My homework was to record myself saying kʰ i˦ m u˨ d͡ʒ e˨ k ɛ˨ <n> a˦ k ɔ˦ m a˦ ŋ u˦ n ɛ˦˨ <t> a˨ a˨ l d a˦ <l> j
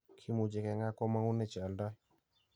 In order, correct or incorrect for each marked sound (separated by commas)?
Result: incorrect, incorrect, incorrect